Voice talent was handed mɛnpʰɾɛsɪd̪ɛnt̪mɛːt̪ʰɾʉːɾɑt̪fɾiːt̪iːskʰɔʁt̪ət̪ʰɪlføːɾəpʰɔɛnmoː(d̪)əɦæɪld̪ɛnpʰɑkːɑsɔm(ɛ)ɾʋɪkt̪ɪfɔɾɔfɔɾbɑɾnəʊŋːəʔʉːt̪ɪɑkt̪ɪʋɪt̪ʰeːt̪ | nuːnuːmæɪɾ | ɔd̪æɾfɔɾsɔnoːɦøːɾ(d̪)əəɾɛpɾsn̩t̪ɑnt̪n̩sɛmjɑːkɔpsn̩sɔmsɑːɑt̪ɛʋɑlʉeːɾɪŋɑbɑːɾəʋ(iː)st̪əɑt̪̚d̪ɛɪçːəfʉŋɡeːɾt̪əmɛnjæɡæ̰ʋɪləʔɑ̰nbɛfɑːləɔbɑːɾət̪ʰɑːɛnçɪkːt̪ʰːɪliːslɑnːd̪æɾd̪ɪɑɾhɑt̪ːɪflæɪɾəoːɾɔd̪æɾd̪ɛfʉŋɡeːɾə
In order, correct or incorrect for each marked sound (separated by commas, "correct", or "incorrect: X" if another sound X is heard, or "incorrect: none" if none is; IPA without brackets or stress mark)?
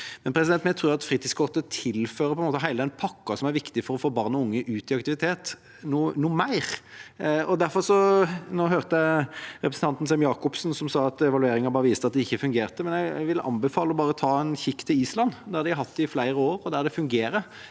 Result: incorrect: t̪, incorrect: æ, incorrect: t̪, correct